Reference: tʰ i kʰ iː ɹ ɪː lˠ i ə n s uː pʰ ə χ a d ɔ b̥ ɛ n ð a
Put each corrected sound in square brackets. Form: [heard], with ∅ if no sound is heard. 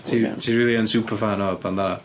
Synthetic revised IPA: tʰ i [tʰ] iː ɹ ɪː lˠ i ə n s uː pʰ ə [f] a [n] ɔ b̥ [a] n ð a